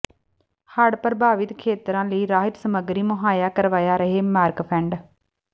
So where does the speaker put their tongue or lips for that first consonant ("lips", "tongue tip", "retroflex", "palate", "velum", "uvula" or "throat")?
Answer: throat